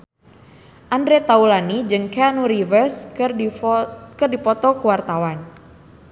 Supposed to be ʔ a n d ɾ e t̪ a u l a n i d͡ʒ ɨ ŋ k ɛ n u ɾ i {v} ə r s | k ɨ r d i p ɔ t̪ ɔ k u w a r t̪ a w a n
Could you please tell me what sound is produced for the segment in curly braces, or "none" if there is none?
v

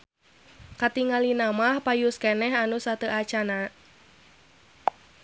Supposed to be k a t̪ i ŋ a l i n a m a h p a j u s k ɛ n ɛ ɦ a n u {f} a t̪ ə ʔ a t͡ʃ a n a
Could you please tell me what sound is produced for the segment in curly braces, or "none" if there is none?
s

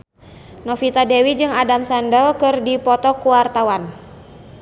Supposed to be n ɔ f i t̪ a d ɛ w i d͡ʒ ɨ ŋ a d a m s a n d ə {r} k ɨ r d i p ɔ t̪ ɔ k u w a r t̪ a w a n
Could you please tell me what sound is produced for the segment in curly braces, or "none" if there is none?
l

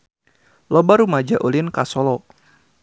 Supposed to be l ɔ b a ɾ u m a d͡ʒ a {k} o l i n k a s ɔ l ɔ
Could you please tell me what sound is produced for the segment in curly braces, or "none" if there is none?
ʔ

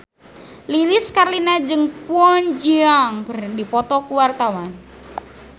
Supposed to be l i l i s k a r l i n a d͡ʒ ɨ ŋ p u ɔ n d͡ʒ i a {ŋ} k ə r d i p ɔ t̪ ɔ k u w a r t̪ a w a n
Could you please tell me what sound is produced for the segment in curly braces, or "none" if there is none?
ŋ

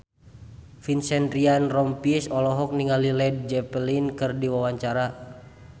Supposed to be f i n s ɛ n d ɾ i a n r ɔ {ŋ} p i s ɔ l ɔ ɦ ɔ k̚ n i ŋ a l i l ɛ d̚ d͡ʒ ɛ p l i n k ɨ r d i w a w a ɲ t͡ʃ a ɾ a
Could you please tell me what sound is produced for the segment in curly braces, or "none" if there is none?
m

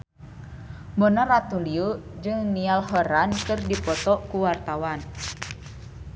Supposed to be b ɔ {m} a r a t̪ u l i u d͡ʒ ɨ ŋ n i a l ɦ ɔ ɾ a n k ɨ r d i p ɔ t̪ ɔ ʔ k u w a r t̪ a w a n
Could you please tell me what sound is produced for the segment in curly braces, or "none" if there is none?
n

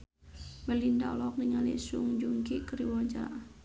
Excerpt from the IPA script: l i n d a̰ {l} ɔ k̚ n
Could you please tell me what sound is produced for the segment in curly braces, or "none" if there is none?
l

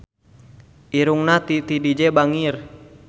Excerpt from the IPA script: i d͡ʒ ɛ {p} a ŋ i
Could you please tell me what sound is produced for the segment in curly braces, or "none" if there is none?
b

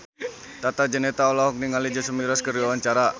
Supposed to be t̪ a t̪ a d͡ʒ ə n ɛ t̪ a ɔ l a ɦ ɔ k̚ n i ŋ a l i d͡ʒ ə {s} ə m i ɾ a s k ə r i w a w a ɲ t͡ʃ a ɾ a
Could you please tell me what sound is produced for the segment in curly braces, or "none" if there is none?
s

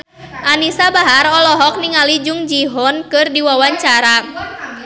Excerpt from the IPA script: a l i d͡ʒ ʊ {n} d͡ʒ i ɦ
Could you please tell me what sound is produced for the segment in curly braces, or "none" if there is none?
ŋ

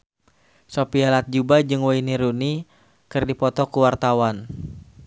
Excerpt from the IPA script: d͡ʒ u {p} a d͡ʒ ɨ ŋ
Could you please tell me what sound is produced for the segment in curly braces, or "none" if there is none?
b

